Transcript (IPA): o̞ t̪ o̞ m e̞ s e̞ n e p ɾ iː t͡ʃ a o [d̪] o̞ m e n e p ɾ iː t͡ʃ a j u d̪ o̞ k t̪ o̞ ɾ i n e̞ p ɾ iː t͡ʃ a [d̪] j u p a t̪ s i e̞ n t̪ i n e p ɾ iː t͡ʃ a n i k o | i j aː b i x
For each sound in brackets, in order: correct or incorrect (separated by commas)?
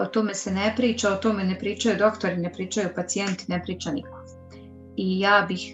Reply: incorrect, incorrect